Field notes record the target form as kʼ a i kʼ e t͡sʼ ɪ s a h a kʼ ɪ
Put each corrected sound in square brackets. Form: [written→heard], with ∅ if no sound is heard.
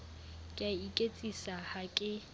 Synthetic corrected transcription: kʼ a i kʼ e t͡sʼ [ɪ→i] s a h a kʼ ɪ

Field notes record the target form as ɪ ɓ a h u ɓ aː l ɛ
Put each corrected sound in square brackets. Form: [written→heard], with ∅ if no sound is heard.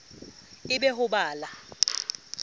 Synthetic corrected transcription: ɪ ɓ [a→ɛ] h [u→ʊ] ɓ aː l [ɛ→a]

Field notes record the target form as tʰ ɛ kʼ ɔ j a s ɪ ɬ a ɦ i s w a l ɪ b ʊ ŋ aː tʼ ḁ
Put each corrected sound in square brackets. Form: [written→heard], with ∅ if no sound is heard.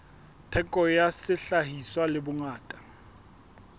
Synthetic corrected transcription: tʰ ɛ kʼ ɔ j a s ɪ ɬ a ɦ i s w a l ɪ b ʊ ŋ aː tʼ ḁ

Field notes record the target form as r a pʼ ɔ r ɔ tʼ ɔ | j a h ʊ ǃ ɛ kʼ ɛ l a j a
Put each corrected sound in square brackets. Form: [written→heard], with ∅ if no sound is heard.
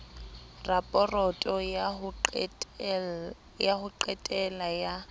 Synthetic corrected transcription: r a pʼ ɔ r ɔ tʼ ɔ | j a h ʊ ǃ ɛ [kʼ→tʼ] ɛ l a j a

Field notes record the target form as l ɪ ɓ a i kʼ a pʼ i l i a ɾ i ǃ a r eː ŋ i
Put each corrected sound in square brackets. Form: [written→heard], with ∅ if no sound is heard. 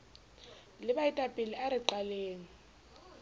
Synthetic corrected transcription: l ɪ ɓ a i [kʼ→tʼ] a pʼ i l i a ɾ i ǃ a [r→l] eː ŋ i

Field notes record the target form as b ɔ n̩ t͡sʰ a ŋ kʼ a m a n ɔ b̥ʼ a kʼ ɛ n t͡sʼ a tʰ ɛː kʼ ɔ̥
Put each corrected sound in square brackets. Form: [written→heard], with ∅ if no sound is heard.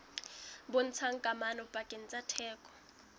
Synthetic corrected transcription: b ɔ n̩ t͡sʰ a ŋ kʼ a m a n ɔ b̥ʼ a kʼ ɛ n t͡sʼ a tʰ ɛː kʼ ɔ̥

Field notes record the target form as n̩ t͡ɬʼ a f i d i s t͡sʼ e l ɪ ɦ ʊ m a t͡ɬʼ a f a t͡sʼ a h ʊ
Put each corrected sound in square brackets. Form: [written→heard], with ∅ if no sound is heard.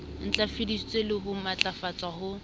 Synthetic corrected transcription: n̩ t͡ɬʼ a f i d i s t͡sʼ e l ɪ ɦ ʊ m a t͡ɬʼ a f a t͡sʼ a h ʊ

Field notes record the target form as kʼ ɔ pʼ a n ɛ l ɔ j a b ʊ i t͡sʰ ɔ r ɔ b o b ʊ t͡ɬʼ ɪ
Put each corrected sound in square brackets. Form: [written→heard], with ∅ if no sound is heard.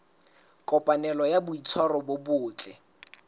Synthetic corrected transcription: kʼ ɔ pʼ a n ɛ l ɔ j a b ʊ i t͡sʰ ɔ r ɔ b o b [ʊ→ʊː] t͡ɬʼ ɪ

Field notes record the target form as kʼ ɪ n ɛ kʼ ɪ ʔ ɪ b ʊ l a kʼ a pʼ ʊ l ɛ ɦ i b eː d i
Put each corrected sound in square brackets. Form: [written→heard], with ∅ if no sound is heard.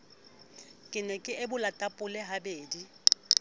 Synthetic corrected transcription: kʼ ɪ n ɛ kʼ ɪ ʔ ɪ b ʊ l a [kʼ→tʼ] a pʼ ʊ l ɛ ɦ [i→a] b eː d i

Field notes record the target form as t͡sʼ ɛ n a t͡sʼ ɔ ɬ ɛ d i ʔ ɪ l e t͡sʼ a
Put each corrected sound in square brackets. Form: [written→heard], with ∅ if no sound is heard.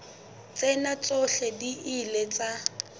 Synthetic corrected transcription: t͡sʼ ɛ n a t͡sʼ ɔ ɬ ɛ d i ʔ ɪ l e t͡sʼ a

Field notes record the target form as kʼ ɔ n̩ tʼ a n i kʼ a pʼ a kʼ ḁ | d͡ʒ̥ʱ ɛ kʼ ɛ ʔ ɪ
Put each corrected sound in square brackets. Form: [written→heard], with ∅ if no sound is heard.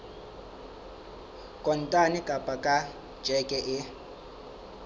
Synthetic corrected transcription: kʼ ɔ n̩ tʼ a n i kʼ a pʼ a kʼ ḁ | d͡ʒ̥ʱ ɛ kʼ ɛ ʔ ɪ

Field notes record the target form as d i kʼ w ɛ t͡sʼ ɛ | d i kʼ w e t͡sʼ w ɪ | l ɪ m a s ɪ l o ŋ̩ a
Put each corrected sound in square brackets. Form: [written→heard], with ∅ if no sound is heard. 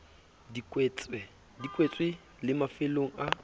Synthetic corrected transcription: d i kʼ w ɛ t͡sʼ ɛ | d i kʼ w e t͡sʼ w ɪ | l ɪ m a [s→f] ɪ l o ŋ̩ a

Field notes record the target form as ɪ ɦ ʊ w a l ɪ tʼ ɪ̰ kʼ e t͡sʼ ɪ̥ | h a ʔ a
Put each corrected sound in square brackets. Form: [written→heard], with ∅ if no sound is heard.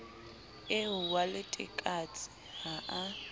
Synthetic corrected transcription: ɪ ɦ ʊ w a l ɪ tʼ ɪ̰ kʼ [e→a] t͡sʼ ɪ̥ | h a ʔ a

